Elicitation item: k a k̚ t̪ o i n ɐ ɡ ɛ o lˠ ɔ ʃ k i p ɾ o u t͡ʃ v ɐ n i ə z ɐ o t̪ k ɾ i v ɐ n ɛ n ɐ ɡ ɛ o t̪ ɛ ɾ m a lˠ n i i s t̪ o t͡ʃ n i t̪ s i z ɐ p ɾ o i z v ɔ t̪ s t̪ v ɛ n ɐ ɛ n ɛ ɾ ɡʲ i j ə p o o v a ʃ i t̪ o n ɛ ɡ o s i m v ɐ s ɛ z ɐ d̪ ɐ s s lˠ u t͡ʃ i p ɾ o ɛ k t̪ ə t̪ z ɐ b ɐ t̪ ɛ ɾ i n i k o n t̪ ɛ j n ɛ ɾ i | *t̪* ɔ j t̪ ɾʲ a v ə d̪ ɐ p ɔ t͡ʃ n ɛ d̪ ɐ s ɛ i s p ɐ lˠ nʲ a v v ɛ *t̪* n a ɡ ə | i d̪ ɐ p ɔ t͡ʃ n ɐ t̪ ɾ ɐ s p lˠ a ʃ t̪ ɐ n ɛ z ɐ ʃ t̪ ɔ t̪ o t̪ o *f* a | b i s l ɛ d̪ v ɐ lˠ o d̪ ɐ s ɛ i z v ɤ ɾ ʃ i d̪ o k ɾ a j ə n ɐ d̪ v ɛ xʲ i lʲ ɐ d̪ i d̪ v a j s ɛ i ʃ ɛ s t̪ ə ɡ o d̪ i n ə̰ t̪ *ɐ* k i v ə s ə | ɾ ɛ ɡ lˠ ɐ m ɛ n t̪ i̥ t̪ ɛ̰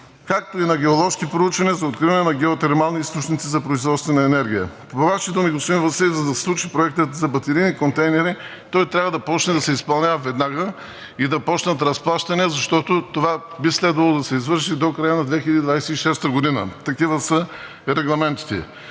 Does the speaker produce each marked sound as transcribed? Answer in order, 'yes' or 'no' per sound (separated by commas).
yes, no, no, yes